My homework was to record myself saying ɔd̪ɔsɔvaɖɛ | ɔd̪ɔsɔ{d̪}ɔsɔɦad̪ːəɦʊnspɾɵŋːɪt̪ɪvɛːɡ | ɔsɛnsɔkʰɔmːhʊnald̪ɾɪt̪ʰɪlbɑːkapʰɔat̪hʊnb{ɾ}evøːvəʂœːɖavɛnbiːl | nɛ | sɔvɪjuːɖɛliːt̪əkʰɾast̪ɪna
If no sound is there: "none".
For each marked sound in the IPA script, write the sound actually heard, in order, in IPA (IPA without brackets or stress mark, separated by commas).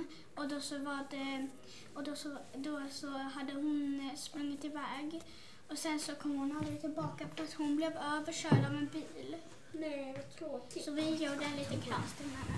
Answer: d̪, l